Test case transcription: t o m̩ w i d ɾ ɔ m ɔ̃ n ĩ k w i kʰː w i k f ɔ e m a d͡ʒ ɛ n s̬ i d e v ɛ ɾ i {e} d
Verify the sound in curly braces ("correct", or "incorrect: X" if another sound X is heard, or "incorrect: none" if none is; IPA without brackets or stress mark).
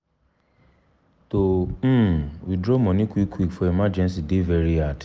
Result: incorrect: a